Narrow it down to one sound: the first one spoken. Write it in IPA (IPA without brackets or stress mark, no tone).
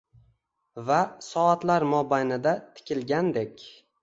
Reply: v